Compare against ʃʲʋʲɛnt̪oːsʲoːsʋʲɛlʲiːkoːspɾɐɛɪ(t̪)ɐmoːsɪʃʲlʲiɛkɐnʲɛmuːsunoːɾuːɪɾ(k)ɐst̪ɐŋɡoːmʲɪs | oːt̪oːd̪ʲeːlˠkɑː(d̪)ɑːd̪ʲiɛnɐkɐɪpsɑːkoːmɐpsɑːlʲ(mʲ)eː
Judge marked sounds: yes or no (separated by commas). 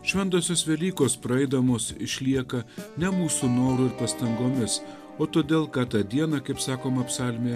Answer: no, no, no, yes